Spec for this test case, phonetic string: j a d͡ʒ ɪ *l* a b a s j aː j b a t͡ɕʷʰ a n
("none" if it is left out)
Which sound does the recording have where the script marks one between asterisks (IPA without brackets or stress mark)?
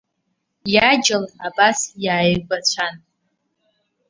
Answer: l